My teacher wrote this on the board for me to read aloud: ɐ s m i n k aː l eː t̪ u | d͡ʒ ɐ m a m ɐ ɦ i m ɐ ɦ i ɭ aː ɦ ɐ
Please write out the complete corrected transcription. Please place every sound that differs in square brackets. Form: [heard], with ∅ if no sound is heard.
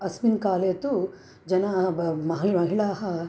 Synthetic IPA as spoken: ɐ s m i n k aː l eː t̪ u | d͡ʒ ɐ [n] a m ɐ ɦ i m ɐ ɦ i ɭ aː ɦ ɐ